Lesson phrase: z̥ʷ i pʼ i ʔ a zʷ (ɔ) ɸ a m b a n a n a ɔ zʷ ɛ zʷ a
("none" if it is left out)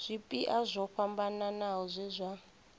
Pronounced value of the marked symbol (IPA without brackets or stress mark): ɔ